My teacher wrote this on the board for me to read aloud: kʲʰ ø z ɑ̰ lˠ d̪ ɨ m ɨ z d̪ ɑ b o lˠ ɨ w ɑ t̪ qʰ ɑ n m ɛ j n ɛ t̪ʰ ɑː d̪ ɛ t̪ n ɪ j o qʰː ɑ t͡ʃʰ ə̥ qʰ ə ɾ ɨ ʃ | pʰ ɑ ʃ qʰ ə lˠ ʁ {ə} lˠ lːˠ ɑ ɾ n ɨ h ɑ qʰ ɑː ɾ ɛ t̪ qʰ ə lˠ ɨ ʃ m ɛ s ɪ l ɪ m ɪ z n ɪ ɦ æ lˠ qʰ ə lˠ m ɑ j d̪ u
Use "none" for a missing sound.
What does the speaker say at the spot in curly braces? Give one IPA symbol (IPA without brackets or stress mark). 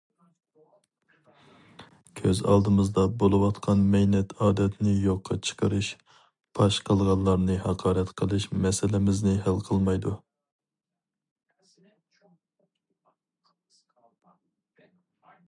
ɑ